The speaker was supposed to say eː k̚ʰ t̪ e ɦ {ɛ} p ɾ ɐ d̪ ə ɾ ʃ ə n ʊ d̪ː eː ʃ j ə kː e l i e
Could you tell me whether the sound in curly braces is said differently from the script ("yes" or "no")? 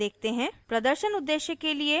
yes